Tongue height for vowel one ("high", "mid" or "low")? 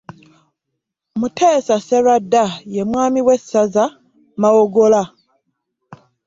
high